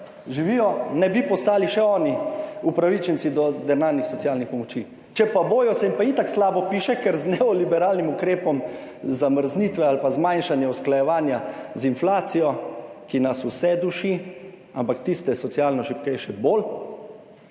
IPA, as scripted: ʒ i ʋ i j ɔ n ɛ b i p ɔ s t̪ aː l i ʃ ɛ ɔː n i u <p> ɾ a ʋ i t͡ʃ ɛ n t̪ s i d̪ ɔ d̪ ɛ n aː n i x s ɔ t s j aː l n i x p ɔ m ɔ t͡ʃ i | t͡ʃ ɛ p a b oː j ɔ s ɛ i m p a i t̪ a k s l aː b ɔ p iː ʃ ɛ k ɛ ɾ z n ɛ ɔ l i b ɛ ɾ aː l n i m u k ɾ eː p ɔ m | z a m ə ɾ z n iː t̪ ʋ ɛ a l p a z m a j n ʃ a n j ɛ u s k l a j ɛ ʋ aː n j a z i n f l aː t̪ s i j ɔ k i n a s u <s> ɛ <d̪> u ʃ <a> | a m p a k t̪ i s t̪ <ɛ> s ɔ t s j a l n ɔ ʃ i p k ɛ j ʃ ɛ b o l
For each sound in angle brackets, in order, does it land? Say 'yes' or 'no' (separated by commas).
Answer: yes, yes, yes, no, yes